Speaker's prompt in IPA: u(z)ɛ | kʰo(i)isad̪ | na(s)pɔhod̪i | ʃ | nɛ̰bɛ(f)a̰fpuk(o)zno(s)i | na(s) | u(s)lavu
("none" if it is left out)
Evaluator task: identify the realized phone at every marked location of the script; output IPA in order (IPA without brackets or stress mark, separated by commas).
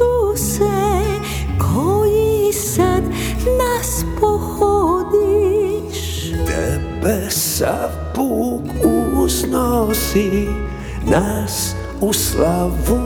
s, j, s, s, u, s, s, s